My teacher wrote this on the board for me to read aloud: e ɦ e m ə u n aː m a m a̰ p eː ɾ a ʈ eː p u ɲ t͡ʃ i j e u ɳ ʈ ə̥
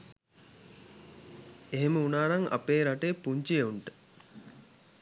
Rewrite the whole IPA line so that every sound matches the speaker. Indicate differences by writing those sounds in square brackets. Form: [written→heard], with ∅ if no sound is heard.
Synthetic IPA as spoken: e ɦ e m ə u n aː [m→n] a [m→ŋ] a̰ p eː ɾ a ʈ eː p u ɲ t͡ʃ i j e u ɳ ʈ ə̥